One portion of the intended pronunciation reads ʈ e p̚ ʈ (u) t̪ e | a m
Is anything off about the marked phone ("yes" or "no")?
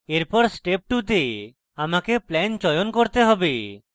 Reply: no